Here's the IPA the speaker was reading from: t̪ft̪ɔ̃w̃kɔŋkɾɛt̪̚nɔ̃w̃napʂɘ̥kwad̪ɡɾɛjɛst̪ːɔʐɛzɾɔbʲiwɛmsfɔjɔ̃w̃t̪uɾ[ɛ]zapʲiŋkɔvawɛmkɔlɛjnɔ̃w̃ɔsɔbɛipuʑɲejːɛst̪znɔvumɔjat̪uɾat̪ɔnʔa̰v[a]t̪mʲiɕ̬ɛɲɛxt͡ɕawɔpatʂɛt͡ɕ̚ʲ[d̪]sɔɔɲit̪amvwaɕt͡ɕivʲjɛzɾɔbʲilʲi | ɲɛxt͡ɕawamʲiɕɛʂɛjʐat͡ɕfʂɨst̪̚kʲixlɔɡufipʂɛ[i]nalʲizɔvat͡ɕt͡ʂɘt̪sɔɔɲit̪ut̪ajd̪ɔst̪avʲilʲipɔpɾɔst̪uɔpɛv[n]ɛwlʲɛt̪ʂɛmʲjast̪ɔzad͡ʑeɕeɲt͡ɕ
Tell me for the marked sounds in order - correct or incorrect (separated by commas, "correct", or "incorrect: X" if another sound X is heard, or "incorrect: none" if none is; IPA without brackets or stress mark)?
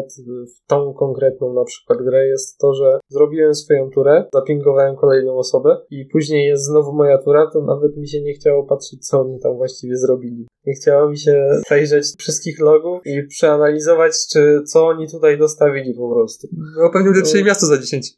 correct, incorrect: ɛ, incorrect: t̪, incorrect: a, incorrect: ɲ